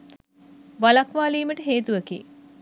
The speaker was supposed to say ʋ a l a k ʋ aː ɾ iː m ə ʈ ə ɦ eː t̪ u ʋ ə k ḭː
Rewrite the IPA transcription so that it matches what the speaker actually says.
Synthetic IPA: ʋ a l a k ʋ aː l iː m ə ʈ ə ɦ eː t̪ u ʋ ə k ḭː